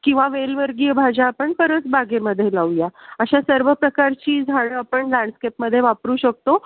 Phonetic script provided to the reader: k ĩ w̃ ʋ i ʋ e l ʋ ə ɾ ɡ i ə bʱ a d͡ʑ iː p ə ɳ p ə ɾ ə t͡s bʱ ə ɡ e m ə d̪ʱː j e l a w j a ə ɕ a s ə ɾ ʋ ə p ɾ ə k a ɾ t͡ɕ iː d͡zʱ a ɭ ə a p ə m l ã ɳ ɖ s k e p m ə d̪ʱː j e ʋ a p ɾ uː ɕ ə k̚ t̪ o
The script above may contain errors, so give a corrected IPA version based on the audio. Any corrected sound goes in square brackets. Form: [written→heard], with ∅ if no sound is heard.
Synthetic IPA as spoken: k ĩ w̃ ʋ [i→a] ʋ e l ʋ ə ɾ ɡ i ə bʱ a d͡ʑ [iː→aː] p ə ɳ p ə ɾ ə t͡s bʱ [ə→a] ɡ e m ə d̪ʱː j e l a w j a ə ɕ a s ə ɾ ʋ ə p ɾ ə k a ɾ t͡ɕ iː d͡zʱ a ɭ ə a p ə [m→ɳ] l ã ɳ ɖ s k e p m ə d̪ʱː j e ʋ a p ɾ uː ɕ ə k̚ t̪ o